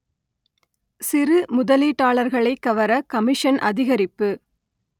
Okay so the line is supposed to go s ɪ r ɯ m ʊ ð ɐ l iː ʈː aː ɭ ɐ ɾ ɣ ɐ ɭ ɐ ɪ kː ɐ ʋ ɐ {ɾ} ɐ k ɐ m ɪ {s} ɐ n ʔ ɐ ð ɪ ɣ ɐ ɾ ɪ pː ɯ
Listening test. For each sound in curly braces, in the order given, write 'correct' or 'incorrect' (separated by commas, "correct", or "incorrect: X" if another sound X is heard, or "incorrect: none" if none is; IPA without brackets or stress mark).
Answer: correct, incorrect: ʂ